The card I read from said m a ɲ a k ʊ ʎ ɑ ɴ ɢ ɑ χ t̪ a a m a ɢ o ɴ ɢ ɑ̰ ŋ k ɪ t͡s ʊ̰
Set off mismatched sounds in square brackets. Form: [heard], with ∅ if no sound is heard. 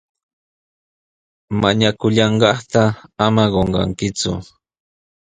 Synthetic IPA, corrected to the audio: m a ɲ a k ʊ ʎ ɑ ɴ ɢ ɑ χ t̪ a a m a ɢ o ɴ ɢ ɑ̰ ŋ k ɪ t͡s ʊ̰